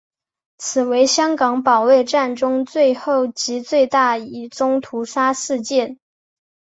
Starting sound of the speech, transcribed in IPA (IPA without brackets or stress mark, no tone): t͡sʰ